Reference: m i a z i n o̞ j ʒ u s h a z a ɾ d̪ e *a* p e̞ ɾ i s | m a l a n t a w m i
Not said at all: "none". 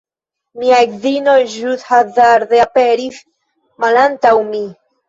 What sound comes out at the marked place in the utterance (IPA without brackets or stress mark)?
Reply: a